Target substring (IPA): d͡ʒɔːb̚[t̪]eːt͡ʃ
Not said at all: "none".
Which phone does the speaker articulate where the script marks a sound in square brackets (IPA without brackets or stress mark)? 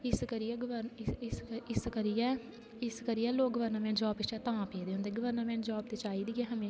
t̪